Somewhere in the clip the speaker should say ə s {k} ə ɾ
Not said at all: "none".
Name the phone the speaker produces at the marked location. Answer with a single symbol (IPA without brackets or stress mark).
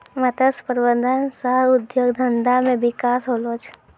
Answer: p